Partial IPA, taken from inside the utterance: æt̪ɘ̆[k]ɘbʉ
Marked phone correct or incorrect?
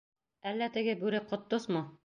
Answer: incorrect